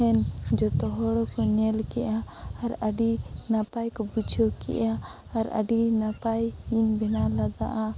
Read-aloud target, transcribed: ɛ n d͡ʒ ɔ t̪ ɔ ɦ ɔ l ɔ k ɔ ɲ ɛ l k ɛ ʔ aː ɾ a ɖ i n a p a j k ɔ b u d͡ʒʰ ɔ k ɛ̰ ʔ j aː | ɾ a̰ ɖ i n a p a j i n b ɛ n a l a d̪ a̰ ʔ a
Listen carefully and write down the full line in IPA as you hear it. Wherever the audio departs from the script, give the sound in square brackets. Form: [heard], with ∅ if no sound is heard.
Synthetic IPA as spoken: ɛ n d͡ʒ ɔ t̪ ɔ ɦ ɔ [ɽ] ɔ k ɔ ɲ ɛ l k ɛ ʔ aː ɾ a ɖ i n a p a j k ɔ b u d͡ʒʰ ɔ k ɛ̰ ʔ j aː | ɾ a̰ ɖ i n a p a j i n b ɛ n a l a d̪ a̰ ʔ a